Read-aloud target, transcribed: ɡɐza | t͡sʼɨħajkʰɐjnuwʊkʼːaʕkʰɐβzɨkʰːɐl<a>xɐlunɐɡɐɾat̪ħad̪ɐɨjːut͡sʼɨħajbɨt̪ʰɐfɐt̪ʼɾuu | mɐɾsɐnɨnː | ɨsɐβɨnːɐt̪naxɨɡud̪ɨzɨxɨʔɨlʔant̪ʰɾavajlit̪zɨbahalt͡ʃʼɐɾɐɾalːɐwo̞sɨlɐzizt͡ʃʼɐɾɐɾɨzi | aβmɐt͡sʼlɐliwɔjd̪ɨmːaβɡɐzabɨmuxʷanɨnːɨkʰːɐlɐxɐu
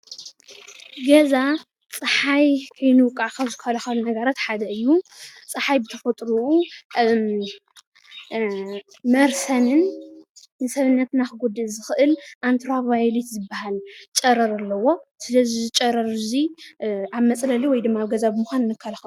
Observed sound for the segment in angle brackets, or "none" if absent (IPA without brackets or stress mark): ɐ